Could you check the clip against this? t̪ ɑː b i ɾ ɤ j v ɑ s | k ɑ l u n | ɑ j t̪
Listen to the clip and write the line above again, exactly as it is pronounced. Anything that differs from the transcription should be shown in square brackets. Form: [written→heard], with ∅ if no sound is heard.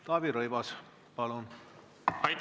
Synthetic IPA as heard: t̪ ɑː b i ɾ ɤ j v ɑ s | [k→p] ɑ l u n | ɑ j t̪

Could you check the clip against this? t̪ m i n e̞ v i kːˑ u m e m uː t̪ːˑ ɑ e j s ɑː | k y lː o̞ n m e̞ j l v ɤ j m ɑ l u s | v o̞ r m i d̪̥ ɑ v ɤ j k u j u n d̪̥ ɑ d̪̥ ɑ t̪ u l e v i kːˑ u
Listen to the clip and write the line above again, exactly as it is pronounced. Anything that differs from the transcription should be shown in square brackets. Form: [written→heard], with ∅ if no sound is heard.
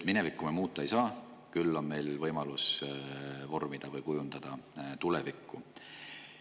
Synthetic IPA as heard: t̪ m i n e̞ v i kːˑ u m e m uː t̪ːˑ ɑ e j s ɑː | k y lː o̞ n m e̞ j l v ɤ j m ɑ l u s | v o̞ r m i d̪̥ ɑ v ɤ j k u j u n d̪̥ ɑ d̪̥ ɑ t̪ u l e v i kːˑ u

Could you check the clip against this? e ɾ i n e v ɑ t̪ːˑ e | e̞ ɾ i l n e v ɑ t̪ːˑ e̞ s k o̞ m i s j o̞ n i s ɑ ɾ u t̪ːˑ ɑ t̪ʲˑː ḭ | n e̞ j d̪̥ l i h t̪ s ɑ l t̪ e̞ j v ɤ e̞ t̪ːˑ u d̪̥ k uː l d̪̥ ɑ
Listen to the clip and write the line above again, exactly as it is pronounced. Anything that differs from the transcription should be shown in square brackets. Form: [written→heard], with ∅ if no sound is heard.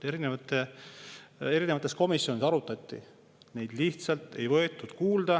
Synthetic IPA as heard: e ɾ i n e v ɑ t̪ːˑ e | e̞ ɾ i [l→∅] n e v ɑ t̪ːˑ e̞ s k o̞ m i s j o̞ n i s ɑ ɾ u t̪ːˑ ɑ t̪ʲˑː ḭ | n e̞ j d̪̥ l i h t̪ s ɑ l t̪ e̞ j v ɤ e̞ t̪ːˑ u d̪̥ k uː l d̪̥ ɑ

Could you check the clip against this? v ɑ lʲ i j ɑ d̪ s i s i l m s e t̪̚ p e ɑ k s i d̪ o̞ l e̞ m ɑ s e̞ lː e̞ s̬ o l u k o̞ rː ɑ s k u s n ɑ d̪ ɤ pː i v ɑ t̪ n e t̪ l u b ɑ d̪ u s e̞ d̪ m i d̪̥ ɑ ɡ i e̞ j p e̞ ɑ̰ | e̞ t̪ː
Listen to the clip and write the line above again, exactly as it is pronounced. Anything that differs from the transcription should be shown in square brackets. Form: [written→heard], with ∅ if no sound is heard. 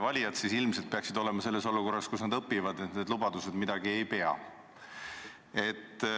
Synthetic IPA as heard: v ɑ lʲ i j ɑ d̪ s i s i l m s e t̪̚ p e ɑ k s i d̪ o̞ l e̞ m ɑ s e̞ lː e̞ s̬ o l u k o̞ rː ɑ s k u s n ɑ d̪ ɤ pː i v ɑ [t̪→d̪] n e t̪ l u b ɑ d̪ u s e̞ d̪ m i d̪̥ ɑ ɡ i e̞ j p e̞ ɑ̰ | e̞ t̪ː

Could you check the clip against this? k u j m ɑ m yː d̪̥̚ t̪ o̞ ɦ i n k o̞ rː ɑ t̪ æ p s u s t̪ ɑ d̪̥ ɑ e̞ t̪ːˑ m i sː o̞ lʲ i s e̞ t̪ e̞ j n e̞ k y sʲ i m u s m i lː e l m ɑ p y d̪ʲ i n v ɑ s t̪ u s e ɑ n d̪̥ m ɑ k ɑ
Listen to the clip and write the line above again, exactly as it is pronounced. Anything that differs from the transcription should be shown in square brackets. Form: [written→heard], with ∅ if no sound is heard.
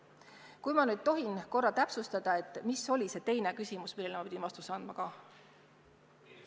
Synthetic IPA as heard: k u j m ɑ [m→n] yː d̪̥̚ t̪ o̞ ɦ i n k o̞ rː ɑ t̪ æ p s u s t̪ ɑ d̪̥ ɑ e̞ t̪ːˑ m i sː o̞ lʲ i s e̞ t̪ e̞ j n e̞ k y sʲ i m u s m i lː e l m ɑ p [y→i] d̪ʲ i n v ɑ s t̪ u s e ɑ n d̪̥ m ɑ k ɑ

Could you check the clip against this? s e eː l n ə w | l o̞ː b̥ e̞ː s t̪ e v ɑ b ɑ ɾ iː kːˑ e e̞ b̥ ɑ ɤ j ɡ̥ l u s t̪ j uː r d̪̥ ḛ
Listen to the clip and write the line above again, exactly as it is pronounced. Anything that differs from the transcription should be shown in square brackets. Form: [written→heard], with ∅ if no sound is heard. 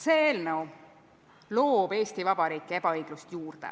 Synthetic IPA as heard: s e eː l n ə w | l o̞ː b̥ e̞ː s t̪ [e→i] v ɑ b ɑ ɾ iː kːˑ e e̞ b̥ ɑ ɤ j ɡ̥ l u s t̪ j uː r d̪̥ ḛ

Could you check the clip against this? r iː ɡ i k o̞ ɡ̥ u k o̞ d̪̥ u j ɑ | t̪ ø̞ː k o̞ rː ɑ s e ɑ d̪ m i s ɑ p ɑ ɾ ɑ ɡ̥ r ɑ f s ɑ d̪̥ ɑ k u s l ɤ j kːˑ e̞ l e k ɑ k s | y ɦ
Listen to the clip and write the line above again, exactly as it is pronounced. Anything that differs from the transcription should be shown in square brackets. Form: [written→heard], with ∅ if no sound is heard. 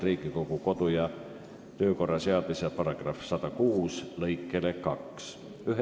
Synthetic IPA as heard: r iː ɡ i k o̞ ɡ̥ u k o̞ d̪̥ u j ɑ | t̪ ø̞ː k o̞ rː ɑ s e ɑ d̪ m i s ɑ p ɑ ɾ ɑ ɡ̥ r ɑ f s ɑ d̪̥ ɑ k [u→uː] s l ɤ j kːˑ e̞ l e k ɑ k s | y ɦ

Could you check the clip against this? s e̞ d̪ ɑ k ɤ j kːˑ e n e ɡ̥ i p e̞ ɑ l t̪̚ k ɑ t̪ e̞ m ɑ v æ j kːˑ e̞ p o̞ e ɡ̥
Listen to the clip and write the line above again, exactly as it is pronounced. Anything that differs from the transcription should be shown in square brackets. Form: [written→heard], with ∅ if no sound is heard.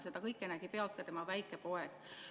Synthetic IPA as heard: s e̞ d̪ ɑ k ɤ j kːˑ e n [e→æ] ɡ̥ i p e̞ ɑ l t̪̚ k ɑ t̪ e̞ m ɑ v æ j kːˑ e̞ p o̞ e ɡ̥

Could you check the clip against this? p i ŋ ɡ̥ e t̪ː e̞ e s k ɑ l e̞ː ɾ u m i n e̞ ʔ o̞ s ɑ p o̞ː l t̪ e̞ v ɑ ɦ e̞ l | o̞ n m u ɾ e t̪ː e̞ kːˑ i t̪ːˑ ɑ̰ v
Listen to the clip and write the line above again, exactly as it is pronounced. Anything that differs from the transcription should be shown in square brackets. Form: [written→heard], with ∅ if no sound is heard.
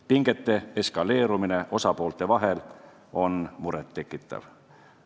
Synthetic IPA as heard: p i ŋ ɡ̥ e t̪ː e̞ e s k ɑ l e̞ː ɾ u m i n e̞ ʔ o̞ s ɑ p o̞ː l t̪ e̞ v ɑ ɦ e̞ l | o̞ n m u ɾ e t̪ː e̞ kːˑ i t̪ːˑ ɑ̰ v

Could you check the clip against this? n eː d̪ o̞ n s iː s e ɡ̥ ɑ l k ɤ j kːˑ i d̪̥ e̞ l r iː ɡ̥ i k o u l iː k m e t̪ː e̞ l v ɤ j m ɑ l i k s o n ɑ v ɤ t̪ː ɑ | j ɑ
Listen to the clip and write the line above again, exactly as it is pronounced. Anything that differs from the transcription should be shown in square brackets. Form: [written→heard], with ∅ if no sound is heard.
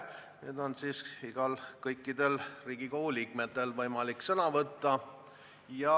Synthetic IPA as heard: n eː d̪ o̞ n s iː s [e→i] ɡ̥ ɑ l k ɤ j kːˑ i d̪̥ e̞ l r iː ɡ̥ i k o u l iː k m e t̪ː e̞ l v ɤ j m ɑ l i k s [o→ɤ] n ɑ v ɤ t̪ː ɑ | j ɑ

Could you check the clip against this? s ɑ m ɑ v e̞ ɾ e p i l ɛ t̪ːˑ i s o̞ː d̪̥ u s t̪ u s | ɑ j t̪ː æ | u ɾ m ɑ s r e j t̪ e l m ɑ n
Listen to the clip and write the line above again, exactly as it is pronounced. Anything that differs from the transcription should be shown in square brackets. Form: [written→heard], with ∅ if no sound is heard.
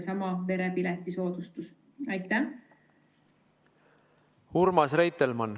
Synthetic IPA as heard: s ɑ m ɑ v e̞ ɾ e p i l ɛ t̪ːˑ i s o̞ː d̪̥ u s t̪ u s | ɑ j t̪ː æ | u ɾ m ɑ s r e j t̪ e l m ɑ n

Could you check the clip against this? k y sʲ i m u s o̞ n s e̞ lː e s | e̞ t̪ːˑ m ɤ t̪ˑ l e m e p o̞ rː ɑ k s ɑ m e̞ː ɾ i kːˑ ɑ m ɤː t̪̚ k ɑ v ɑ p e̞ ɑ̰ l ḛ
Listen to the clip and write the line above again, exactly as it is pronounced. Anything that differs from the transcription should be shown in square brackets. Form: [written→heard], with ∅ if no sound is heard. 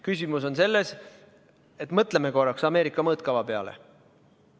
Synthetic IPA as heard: k y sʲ i m u s o̞ n s e̞ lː e s | e̞ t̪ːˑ m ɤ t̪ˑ l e m e [p→k] o̞ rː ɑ k s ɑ m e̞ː ɾ i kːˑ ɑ m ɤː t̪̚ k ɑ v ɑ p e̞ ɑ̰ l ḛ

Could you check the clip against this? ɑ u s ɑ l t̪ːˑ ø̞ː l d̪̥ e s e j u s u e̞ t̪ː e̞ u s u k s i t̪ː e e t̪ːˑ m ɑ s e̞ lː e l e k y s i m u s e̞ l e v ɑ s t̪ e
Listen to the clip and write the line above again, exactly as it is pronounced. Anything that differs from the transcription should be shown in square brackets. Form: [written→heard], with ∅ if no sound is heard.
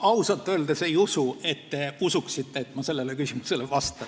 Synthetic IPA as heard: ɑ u s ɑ l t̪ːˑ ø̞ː l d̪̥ e s e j u s u e̞ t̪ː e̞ u s u k s i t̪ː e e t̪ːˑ m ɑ s e̞ lː e l e k y s i m u s e̞ l e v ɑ s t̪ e

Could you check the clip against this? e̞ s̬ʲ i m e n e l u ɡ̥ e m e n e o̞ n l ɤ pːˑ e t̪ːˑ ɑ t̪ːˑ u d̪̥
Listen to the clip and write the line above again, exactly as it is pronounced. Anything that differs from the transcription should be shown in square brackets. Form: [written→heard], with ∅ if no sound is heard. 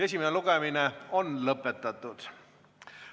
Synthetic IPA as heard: e̞ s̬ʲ i m e n e l u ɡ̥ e m [e→i] n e o̞ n l ɤ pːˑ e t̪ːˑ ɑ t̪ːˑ u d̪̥

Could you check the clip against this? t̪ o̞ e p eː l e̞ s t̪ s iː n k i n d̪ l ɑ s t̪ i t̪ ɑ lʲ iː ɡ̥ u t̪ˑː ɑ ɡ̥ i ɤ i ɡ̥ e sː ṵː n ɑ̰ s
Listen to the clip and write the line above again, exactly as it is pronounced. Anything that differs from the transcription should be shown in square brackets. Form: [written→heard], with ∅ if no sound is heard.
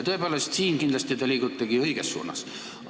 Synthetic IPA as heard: t̪ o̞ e p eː l e̞ s t̪ s iː n k i n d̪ l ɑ s t̪ i t̪ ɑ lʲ iː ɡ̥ u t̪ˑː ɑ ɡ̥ i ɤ [i→j] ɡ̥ e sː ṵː n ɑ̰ s

